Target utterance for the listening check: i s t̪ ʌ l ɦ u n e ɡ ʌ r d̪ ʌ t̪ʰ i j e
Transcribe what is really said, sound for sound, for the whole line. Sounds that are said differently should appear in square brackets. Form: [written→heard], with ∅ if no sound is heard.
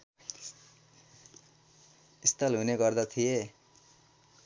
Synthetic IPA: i s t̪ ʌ l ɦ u n e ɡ ʌ r d̪ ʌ t̪ʰ i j e